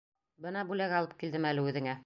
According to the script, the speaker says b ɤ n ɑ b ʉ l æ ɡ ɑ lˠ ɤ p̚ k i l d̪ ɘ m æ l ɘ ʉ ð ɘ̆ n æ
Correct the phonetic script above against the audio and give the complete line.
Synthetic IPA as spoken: b ɤ n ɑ b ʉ l æ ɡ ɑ lˠ ɤ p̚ k i l d̪ ɘ m æ l ɘ ʉ ð ɘ̆ ŋ æ

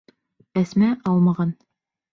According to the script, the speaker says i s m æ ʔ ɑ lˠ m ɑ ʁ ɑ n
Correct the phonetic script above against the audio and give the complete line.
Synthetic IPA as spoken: æ s m æ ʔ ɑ lˠ m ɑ ʁ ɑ n

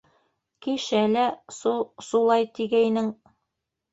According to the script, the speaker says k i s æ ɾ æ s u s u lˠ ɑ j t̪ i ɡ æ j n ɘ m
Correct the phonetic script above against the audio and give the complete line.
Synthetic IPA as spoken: k i ʃ æ l æ s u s u lˠ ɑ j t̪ i ɡ æ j n ɘ ŋ

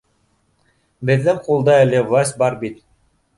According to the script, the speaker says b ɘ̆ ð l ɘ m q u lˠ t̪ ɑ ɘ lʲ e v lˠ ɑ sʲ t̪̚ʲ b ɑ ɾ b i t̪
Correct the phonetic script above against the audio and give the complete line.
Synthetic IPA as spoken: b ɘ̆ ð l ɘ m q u lˠ d̪ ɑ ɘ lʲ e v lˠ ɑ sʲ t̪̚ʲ b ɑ ɾ b i t̪

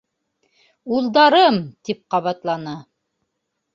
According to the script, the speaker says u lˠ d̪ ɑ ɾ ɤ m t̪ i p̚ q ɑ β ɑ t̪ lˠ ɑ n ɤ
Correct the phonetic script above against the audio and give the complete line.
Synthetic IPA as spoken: u lˠ d̪ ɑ ɾ ɤ m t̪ i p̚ q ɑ β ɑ t̪ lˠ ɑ n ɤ

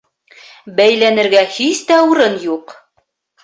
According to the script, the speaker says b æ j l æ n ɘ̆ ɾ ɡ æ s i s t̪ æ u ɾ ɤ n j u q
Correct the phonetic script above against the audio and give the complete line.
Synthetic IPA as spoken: b æ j l æ n ɘ̆ ɾ ɡ æ h i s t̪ æ u ɾ ɤ n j u q

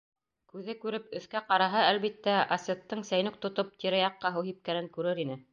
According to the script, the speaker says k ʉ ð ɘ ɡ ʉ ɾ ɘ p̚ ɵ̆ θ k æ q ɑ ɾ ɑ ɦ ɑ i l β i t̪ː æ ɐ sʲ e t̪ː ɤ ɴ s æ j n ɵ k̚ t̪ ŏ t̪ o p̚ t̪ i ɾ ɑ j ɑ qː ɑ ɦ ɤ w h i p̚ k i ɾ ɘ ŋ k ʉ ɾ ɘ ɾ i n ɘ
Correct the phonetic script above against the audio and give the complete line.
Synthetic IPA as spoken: k ʉ ð ɘ k ʉ ɾ ɘ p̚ ɵ̆ θ k æ q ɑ ɾ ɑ ɦ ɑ æ l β i t̪ː æ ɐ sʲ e t̪ː ɤ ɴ s æ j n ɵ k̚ t̪ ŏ t̪ o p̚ t̪ i ɾ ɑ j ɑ qː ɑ ɦ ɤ w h i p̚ k æ ɾ ɘ ŋ k ʉ ɾ ɘ ɾ i n ɘ

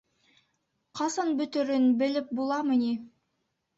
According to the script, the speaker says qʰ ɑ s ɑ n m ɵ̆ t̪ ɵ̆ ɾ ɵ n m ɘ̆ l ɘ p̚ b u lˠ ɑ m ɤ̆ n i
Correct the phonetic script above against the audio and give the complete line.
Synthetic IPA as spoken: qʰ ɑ s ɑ n b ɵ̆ t̪ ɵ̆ ɾ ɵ n b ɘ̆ l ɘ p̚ b u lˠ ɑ m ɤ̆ n i

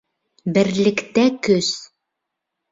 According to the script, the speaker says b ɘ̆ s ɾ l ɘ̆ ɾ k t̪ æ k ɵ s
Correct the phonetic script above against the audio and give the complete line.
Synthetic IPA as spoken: b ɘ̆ ɾ l ɘ̆ k t̪ æ k ɵ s

